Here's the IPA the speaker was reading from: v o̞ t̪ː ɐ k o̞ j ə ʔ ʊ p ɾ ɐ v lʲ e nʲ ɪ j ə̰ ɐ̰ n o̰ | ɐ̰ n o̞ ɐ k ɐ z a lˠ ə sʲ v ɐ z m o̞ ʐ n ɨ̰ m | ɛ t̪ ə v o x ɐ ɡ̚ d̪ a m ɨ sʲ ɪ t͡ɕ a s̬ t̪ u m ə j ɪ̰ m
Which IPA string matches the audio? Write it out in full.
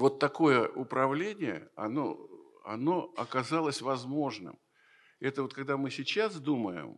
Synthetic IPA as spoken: v o̞ t̪ː ɐ k o̞ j ə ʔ ʊ p ɾ ɐ v lʲ e nʲ ɪ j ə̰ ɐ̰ n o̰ | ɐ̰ n o̞ ɐ k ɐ z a lˠ ə sʲ v ɐ z m o̞ ʐ n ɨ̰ m | ɛ t̪ ə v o k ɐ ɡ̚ d̪ a m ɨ sʲ ɪ t͡ɕ a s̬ d̪ u m ə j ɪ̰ m